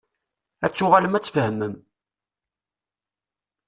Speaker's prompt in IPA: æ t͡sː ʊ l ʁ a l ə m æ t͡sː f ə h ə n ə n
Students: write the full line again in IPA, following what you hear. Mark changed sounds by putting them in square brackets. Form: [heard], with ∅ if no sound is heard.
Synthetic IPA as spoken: æ t͡sː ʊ [∅] ʁ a l ə m æ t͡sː f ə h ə [m] ə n